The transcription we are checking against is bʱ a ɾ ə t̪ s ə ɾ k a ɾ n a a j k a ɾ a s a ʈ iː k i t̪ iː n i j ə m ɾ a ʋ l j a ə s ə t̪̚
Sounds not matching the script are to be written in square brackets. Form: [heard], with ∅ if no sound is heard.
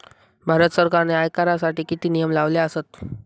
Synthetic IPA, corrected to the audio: bʱ a ɾ ə t̪ s ə ɾ k a ɾ n [e] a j k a ɾ a s a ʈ iː k i t̪ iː n i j ə m [l] a ʋ l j a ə s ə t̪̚